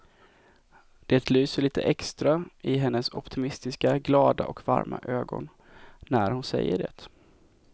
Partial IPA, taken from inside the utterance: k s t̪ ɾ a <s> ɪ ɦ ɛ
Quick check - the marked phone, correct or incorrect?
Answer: incorrect: none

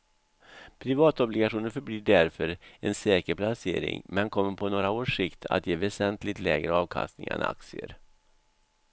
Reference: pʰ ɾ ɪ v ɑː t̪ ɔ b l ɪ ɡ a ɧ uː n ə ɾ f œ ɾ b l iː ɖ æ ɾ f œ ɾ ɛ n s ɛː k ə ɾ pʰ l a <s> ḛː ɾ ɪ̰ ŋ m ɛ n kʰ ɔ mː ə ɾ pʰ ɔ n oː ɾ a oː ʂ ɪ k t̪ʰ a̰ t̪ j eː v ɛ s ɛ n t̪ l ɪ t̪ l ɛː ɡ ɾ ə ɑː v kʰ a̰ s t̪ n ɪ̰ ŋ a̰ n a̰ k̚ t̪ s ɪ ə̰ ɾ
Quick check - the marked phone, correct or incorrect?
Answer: correct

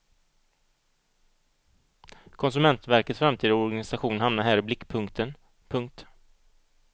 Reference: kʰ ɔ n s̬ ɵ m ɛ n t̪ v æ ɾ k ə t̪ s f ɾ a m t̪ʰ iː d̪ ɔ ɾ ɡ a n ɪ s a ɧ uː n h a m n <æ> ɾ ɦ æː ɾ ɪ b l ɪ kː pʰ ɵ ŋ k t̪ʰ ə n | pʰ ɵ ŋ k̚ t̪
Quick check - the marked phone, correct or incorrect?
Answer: incorrect: a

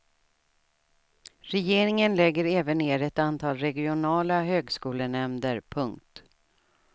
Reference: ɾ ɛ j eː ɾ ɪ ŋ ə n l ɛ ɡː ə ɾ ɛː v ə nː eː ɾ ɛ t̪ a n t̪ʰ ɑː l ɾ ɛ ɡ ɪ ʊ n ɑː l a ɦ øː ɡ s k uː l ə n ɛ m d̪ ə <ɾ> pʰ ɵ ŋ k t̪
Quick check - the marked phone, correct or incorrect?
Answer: correct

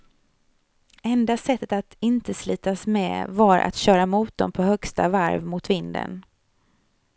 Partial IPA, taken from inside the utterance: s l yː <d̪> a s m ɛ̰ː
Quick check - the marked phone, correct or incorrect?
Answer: incorrect: t̪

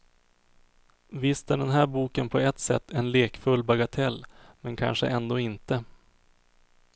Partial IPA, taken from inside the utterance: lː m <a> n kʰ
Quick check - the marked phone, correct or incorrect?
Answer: incorrect: ɛ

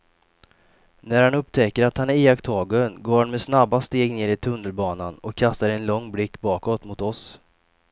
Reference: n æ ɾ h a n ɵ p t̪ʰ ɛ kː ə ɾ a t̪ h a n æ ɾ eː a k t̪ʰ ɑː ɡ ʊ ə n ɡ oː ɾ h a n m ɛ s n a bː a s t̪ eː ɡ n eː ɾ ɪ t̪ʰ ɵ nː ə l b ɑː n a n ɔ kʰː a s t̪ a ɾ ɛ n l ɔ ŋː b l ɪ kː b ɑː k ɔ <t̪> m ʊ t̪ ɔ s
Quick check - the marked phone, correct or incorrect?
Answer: correct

